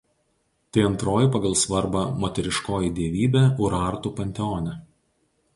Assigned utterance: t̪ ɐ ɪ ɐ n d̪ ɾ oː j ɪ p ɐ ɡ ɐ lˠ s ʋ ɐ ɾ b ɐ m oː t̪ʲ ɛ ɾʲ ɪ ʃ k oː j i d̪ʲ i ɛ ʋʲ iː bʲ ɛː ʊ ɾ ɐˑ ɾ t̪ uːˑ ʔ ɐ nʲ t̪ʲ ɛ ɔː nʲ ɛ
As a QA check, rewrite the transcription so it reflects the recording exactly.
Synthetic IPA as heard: t̪ ɐ ɪ ɐ n t̪ ɾ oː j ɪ p ɐ ɡ ɐ lˠ s ʋ ɐ ɾ b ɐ m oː t̪ʲ ɛ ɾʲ ɪ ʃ k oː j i d̪ʲ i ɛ ʋʲ iː bʲ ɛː ʊ ɾ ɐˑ ɾ t̪ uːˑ p ɐ nʲ t̪ʲ ɛ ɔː nʲ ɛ